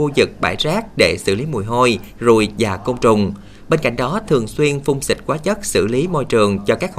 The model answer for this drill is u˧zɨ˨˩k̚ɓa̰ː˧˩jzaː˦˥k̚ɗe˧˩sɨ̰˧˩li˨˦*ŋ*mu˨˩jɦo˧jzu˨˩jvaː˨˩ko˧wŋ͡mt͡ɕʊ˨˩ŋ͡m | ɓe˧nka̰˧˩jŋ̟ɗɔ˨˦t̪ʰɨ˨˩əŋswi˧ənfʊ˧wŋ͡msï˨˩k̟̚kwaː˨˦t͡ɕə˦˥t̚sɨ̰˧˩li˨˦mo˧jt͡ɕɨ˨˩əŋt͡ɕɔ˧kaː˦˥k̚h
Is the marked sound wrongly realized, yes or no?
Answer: yes